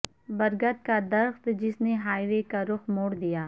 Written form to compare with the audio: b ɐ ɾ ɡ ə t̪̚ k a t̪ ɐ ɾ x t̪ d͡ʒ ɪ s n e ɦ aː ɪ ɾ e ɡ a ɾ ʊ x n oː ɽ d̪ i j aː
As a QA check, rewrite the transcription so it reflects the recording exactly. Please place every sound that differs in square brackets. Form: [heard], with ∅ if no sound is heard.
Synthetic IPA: b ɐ ɾ ɡ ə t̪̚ k a [d̪] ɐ ɾ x t̪ d͡ʒ ɪ s n e ɦ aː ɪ ɾ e [k] a ɾ ʊ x [m] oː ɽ d̪ i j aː